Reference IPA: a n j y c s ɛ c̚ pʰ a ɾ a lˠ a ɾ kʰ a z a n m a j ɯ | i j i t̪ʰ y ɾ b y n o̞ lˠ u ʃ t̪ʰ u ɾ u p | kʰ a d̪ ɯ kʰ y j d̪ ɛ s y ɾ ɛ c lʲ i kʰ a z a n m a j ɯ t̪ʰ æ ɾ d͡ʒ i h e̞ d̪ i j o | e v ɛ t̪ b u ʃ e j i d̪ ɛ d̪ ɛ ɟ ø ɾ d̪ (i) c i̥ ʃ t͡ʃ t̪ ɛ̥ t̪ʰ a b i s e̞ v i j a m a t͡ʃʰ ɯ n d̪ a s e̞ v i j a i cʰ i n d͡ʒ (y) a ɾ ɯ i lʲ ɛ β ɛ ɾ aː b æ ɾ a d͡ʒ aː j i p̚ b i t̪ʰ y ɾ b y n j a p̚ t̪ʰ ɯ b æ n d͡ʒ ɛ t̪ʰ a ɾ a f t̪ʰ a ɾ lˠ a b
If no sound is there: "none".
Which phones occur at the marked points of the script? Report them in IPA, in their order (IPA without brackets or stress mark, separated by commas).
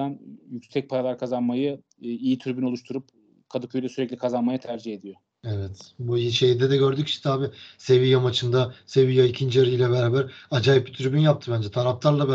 y, i